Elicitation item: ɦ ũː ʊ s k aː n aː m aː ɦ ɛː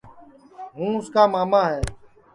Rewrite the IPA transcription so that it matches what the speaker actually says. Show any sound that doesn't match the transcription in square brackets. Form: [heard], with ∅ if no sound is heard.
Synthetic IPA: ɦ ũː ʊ s k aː [m] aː m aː ɦ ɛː